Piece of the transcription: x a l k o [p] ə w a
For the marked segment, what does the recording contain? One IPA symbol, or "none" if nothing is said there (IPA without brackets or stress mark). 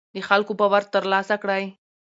p